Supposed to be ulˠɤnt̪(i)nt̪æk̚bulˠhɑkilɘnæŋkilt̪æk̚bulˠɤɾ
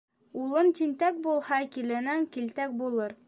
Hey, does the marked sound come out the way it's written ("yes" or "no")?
yes